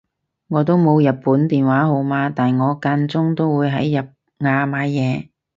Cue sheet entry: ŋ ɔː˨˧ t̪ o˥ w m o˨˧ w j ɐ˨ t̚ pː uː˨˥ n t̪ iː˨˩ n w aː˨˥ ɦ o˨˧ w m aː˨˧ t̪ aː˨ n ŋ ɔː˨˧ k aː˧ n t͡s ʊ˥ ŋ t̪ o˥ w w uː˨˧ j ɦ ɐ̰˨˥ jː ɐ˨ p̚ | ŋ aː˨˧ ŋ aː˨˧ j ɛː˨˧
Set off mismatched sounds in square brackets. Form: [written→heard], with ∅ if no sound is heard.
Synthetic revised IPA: ŋ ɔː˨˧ t̪ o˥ w m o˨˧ w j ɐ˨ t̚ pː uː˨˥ n t̪ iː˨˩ n w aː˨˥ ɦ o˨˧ w m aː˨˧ t̪ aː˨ n ŋ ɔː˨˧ k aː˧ n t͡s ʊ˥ ŋ t̪ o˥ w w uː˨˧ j ɦ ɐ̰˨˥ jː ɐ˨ p̚ | ŋ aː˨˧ [ŋ→m] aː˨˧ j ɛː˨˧